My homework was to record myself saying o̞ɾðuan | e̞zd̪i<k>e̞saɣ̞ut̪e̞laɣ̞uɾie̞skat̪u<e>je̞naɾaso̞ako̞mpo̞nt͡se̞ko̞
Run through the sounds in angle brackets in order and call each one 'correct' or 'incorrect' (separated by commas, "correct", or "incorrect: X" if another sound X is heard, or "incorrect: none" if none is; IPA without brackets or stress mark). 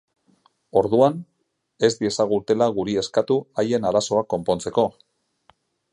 incorrect: none, incorrect: a